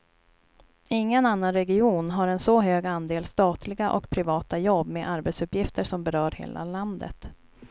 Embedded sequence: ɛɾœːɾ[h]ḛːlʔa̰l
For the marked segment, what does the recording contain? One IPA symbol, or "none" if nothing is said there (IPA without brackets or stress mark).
h